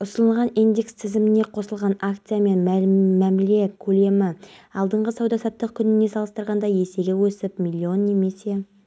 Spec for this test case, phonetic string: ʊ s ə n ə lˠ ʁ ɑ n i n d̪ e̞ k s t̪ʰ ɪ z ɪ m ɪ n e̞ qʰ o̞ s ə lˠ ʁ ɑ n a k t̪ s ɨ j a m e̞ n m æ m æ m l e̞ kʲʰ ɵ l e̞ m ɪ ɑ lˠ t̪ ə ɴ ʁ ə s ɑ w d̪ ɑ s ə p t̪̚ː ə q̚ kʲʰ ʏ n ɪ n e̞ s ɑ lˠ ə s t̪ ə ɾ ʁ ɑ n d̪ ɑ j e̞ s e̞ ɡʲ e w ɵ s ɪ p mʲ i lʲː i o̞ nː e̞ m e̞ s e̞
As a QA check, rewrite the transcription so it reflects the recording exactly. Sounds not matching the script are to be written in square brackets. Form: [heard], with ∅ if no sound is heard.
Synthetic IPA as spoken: ʊ s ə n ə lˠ ʁ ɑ n i n d̪ e̞ k s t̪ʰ ɪ z ɪ m ɪ n e̞ qʰ o̞ s ə lˠ ʁ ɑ n a k t̪ s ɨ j a m e̞ n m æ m æ m l e̞ kʲʰ ɵ l e̞ m ɪ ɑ lˠ [d̪] ə ɴ ʁ ə s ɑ w d̪ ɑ s [ɑ] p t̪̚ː ə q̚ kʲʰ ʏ n ɪ n e̞ s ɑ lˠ ə s t̪ ə ɾ ʁ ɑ n d̪ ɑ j e̞ s e̞ ɡʲ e w ɵ s ɪ p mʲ i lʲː i o̞ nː e̞ m e̞ s e̞

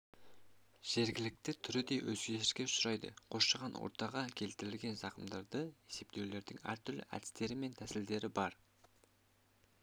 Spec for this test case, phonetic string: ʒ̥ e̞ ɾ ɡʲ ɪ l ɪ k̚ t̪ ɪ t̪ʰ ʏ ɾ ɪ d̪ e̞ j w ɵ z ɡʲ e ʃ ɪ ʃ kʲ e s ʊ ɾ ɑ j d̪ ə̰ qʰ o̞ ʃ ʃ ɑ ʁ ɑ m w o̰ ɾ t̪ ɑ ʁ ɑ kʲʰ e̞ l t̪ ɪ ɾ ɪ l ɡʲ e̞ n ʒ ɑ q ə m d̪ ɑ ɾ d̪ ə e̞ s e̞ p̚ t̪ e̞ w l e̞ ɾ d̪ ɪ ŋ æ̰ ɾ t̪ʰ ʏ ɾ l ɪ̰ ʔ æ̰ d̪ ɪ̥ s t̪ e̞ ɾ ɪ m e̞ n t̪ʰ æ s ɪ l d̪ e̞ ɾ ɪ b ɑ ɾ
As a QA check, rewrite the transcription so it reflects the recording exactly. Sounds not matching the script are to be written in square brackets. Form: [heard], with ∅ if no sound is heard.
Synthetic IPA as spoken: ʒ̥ e̞ ɾ ɡʲ ɪ l ɪ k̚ t̪ ɪ t̪ʰ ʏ ɾ ɪ d̪ e̞ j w ɵ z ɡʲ e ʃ ɪ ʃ kʲ e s ʊ ɾ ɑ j d̪ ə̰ qʰ o̞ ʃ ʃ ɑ ʁ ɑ [n] w o̰ ɾ t̪ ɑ ʁ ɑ kʲʰ e̞ l t̪ ɪ ɾ ɪ l ɡʲ e̞ n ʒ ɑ q ə m d̪ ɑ ɾ d̪ ə e̞ s e̞ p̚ t̪ e̞ w l e̞ ɾ d̪ ɪ ŋ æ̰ ɾ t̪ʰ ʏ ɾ l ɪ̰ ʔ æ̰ d̪ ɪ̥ s t̪ e̞ ɾ ɪ m e̞ n t̪ʰ æ s ɪ l d̪ e̞ ɾ ɪ b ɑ ɾ

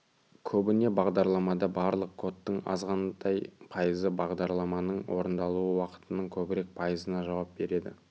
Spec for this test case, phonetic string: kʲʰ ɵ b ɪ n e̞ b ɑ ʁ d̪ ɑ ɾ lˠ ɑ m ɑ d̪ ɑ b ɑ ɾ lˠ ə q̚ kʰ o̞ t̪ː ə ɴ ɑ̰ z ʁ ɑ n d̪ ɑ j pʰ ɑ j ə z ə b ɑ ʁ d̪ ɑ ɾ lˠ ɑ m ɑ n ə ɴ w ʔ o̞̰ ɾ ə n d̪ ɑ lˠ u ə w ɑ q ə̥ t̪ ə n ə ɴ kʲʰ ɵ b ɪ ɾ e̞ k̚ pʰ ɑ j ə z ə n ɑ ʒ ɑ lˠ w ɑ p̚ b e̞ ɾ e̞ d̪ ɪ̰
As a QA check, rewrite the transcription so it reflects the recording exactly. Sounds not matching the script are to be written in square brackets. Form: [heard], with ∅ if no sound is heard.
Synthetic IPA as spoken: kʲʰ ɵ b ɪ n e̞ b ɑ ʁ d̪ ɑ ɾ lˠ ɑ m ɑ d̪ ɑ b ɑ ɾ lˠ ə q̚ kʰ o̞ t̪ː ə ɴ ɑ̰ z ʁ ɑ n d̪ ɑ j pʰ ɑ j ə z ə b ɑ ʁ d̪ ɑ ɾ lˠ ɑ m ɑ n ə ɴ w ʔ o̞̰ ɾ ə n d̪ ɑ lˠ u ə w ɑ q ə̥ t̪ ə n ə ɴ kʲʰ ɵ b ɪ ɾ e̞ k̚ pʰ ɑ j ə z ə n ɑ ʒ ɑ [∅] w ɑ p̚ b e̞ ɾ e̞ d̪ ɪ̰

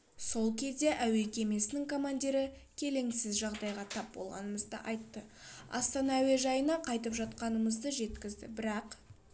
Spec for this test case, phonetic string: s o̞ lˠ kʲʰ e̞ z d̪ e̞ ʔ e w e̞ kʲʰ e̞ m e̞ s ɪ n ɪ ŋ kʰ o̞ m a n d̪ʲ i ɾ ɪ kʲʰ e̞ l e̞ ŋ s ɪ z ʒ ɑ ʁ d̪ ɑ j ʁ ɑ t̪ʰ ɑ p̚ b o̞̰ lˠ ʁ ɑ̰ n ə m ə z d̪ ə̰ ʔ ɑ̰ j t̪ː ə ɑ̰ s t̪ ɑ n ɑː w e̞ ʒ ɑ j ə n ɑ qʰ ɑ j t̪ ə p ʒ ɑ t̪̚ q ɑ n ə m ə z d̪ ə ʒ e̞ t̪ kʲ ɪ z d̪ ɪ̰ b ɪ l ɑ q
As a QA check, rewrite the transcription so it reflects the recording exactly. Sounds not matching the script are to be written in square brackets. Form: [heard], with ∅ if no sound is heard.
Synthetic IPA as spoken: s o̞ lˠ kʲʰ e̞ z d̪ e̞ ʔ [æ] w e̞ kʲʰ e̞ m e̞ s ɪ n ɪ ŋ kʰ o̞ m a n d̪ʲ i ɾ ɪ kʲʰ e̞ l e̞ ŋ s ɪ z ʒ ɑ ʁ d̪ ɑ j ʁ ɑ t̪ʰ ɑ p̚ b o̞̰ lˠ ʁ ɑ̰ n ə m ə z d̪ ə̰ ʔ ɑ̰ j t̪ː ə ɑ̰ s t̪ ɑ n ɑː w e̞ ʒ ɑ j ə n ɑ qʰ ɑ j t̪ ə p ʒ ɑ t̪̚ q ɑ n ə m ə z d̪ ə ʒ e̞ t̪ kʲ ɪ z d̪ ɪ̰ b ɪ [ɾ] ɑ q

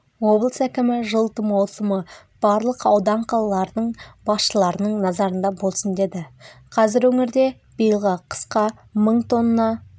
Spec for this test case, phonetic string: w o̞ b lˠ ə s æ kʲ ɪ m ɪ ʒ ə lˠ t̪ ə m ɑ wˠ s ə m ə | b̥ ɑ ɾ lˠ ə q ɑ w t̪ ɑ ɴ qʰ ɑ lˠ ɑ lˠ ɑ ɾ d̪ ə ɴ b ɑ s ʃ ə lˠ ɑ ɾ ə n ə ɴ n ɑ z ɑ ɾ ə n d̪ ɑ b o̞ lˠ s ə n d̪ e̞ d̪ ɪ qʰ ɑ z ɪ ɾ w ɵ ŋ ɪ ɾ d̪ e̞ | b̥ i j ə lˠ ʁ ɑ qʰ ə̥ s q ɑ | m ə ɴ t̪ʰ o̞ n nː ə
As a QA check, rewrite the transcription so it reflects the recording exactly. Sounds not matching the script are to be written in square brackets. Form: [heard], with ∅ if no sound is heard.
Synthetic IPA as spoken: w o̞ b lˠ ə s æ kʲ ɪ m ɪ ʒ ə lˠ t̪ ə m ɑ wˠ s ə m ə | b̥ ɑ ɾ lˠ ə q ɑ w [d̪] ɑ ɴ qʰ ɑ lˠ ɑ lˠ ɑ ɾ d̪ ə ɴ b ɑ s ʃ ə lˠ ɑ ɾ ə n ə ɴ n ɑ z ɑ ɾ ə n d̪ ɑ b o̞ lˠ s ə n d̪ e̞ d̪ ɪ qʰ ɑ z ɪ ɾ w ɵ ŋ ɪ ɾ d̪ e̞ | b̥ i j ə lˠ ʁ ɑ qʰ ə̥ s q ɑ | m ə ɴ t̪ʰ o̞ n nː [ɑ]

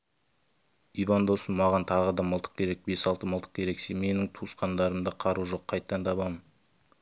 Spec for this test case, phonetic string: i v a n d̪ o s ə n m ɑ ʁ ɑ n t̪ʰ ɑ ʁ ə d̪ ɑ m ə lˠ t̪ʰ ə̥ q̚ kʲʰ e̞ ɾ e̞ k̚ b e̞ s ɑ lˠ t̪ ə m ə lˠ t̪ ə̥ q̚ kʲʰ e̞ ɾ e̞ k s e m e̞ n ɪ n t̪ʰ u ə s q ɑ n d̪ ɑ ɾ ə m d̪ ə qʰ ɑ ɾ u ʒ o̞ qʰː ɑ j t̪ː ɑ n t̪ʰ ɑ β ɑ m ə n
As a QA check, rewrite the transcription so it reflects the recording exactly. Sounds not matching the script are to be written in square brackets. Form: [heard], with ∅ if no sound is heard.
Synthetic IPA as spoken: i v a n d̪ o s ə n m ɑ ʁ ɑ n t̪ʰ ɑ ʁ ə d̪ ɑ m ə lˠ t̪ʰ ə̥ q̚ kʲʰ e̞ ɾ e̞ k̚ b e̞ s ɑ lˠ t̪ ə m ə lˠ t̪ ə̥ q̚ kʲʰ e̞ ɾ e̞ k s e m e̞ n ɪ [ŋ] t̪ʰ u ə s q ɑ n d̪ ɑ ɾ ə m d̪ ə qʰ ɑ ɾ u ʒ o̞ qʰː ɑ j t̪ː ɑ n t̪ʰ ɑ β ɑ m ə n

